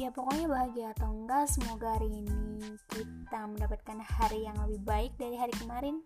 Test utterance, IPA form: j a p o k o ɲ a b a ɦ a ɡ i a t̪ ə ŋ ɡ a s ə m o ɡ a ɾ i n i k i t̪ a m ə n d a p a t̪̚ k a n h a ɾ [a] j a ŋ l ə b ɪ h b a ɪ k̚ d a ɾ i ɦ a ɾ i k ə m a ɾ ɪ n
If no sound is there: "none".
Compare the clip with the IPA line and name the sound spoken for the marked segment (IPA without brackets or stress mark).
i